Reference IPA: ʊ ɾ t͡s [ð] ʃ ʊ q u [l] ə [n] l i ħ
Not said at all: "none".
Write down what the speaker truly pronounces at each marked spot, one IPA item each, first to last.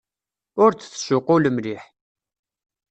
θ, l, m

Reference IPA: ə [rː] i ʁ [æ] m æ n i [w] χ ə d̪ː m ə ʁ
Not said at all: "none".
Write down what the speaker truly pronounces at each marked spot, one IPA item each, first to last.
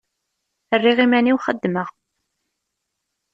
rː, i, w

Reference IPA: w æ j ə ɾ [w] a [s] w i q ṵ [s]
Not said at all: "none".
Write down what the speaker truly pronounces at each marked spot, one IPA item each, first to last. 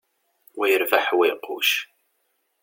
v, ħ, ʃ

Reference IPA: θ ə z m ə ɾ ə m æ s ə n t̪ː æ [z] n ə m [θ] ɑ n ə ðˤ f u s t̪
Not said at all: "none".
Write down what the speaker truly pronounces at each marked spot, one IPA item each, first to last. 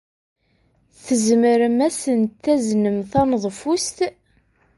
z, θ

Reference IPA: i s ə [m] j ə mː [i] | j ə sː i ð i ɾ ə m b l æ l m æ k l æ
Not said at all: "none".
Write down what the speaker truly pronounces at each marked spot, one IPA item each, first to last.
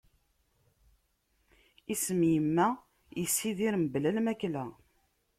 m, æ

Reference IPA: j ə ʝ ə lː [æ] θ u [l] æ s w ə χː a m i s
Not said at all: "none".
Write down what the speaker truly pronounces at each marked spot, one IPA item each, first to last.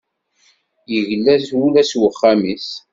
æ, l

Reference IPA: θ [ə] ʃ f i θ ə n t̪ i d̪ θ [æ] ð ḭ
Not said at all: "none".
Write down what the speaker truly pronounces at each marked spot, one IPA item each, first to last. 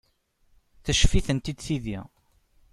ə, i

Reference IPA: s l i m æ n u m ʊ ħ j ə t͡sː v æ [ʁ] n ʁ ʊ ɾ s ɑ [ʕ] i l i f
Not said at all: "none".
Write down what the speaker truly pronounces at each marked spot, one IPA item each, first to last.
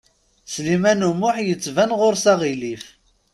none, ʁ

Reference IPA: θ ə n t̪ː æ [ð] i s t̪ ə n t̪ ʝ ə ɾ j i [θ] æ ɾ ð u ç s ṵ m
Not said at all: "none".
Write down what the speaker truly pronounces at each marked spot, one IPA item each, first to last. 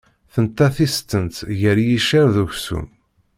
θ, ʃ

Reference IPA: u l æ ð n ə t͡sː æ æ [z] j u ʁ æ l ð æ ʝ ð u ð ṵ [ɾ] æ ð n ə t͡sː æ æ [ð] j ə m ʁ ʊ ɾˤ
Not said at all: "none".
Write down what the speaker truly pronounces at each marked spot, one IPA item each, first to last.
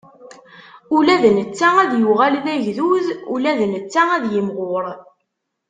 ð, l, ð

